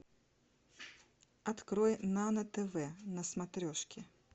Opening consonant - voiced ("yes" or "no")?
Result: no